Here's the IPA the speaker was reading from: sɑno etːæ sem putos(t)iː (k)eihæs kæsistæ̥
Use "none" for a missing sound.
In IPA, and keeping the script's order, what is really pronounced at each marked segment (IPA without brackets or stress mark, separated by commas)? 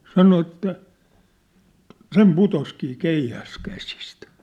k, k